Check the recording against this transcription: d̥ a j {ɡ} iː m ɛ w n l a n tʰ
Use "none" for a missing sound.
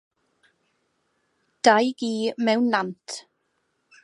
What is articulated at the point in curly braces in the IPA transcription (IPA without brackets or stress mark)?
ɡ